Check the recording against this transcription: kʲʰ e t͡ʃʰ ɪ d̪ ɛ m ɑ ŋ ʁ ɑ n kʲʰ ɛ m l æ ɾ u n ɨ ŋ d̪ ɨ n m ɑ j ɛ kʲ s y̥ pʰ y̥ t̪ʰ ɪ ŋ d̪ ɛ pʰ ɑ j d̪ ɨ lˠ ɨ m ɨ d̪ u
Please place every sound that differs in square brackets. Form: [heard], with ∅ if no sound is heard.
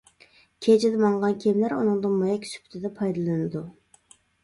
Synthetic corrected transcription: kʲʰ e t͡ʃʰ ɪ d̪ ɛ m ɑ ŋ ʁ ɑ n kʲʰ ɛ m l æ ɾ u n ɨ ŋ d̪ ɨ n m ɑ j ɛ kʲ s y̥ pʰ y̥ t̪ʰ ɪ [∅] d̪ ɛ pʰ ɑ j d̪ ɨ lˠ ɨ [n] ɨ d̪ u